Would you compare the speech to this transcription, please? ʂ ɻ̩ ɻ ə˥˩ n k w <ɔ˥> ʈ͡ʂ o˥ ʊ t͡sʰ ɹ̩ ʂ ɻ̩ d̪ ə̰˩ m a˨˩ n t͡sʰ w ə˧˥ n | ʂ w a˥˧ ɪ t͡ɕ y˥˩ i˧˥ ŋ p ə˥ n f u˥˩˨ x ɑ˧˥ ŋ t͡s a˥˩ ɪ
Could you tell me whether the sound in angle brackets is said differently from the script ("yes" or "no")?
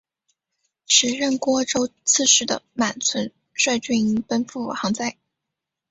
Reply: no